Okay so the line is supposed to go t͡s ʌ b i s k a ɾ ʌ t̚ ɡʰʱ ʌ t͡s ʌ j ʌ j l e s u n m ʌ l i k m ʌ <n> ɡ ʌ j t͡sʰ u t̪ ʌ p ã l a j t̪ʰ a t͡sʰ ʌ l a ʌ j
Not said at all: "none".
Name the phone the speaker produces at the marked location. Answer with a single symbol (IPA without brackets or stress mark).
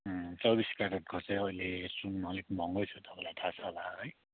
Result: ŋ